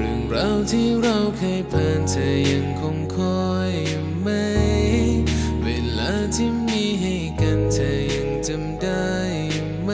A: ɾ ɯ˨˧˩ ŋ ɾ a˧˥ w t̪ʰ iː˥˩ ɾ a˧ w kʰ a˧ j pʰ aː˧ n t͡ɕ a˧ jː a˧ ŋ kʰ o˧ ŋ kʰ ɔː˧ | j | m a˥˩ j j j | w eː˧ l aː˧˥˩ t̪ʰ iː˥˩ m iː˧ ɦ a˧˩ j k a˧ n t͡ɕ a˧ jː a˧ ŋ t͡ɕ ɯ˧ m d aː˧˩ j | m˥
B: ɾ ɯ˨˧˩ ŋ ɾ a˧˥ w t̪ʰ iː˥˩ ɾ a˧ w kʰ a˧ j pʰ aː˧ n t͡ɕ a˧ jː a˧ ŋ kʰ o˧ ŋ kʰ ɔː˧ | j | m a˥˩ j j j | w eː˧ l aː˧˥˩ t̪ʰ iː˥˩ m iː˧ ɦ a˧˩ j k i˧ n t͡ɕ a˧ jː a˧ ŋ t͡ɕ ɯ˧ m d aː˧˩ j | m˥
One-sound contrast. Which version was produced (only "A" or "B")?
A